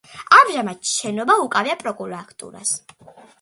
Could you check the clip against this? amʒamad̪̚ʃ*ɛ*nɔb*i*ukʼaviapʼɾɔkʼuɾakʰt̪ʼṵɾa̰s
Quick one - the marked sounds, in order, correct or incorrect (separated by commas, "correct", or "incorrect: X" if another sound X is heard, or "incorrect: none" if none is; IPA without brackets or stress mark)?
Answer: correct, incorrect: a